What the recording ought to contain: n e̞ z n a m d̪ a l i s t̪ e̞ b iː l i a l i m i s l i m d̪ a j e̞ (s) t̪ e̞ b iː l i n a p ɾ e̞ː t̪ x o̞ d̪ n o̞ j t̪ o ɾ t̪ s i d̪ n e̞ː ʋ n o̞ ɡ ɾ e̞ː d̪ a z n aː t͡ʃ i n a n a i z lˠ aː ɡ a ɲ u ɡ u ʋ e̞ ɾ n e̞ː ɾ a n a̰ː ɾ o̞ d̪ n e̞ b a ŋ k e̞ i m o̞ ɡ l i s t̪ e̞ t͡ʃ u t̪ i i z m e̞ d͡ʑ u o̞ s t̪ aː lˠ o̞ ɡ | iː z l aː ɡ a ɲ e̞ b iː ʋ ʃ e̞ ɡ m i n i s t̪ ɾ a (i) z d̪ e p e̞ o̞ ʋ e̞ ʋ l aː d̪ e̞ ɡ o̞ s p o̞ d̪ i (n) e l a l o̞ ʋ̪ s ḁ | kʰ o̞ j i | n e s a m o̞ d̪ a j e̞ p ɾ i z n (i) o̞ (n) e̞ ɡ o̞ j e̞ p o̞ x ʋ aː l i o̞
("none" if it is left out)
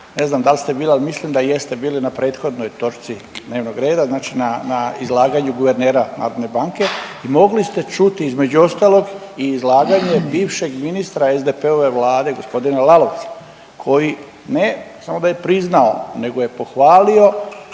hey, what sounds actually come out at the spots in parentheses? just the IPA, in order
s, e, n, a, n

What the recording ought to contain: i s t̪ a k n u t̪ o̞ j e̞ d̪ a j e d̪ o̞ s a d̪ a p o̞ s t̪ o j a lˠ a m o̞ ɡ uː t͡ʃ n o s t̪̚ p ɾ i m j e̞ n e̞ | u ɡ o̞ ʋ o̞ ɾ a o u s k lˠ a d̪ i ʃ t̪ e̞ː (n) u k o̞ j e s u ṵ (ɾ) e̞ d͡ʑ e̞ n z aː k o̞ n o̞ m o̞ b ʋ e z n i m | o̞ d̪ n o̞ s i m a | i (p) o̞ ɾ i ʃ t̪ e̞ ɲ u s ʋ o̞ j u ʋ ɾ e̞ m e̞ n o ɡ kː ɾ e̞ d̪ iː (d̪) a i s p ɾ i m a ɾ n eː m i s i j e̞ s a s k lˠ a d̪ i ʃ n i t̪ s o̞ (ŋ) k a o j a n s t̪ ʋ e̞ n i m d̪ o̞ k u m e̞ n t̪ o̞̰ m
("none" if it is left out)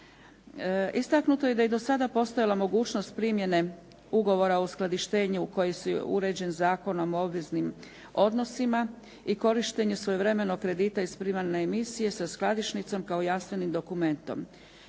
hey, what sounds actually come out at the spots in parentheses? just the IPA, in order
ɲ, ɾ, k, t̪, m

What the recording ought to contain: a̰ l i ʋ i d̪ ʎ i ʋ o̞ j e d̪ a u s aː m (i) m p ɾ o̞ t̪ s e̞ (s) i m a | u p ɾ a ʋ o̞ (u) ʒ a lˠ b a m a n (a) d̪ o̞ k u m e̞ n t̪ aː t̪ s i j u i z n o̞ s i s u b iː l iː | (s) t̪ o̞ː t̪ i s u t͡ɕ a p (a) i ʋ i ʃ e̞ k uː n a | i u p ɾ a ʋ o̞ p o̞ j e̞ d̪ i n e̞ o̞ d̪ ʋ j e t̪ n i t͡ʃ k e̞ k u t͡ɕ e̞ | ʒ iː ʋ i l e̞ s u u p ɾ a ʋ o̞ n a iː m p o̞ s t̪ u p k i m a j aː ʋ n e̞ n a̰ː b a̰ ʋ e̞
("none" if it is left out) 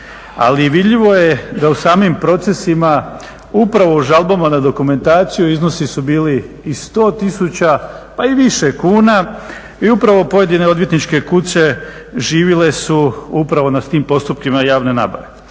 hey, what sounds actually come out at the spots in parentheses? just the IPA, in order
i, s, u, a, s, a

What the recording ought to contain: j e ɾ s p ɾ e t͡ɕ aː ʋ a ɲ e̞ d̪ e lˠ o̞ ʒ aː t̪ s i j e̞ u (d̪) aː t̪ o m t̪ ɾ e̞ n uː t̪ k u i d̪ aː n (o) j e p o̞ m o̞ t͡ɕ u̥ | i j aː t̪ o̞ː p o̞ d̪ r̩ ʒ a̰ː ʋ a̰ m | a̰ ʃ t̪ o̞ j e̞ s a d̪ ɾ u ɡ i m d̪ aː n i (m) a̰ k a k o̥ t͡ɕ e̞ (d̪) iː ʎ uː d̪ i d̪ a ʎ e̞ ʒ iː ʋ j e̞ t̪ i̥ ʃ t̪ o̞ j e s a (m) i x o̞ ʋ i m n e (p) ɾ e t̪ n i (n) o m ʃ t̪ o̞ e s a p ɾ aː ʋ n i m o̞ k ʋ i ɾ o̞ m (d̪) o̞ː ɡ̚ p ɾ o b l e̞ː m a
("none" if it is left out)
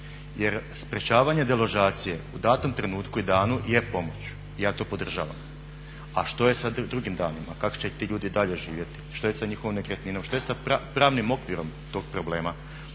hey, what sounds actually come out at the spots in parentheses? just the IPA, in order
d̪, u, m, t̪, ɲ, k, n, t̪

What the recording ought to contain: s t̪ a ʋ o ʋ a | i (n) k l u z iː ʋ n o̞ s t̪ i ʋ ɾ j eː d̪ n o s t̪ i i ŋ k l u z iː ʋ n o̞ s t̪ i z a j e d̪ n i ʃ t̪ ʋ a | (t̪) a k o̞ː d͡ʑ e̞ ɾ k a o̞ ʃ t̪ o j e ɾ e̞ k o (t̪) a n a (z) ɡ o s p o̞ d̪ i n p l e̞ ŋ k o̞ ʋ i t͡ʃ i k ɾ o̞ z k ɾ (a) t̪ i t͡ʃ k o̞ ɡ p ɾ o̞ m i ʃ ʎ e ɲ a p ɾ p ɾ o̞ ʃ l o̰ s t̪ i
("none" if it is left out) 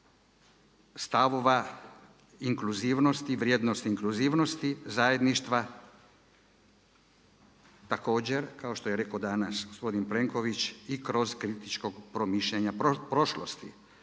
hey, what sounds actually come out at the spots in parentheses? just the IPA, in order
ŋ, t̪, d̪, s, i

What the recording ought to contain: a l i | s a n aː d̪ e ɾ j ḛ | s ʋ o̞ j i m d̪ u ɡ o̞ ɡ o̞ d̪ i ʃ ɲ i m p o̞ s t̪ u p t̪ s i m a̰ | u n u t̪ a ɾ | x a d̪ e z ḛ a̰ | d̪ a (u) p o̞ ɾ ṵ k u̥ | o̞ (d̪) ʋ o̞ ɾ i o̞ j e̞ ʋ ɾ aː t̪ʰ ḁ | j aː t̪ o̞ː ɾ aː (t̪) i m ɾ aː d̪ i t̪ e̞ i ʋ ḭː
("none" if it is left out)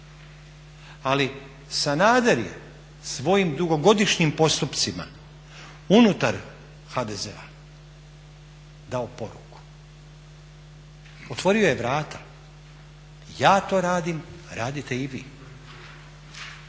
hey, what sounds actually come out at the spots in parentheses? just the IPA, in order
o, t̪, d̪

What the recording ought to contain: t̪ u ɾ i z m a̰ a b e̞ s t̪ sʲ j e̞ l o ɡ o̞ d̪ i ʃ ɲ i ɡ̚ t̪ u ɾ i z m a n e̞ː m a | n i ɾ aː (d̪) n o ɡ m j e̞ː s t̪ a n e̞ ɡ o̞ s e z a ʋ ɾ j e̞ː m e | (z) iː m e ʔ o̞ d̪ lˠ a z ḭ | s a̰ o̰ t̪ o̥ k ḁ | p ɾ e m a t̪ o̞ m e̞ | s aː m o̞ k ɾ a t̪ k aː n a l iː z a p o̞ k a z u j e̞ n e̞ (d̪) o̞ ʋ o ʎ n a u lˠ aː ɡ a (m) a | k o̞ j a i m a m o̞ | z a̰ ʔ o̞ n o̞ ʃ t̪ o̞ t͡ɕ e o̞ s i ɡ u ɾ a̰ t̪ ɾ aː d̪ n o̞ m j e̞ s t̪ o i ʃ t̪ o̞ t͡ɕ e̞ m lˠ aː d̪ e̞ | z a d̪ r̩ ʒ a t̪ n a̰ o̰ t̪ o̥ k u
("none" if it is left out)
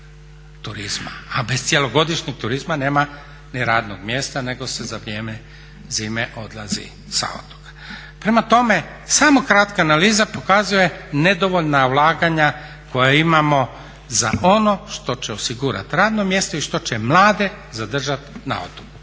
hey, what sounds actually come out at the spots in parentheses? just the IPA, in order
d̪, z, d̪, ɲ

